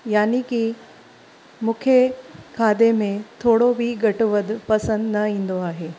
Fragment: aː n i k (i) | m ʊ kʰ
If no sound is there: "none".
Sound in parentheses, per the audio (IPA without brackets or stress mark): i